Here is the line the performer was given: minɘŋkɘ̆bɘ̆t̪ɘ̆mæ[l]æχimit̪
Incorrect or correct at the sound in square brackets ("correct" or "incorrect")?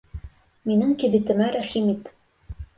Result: incorrect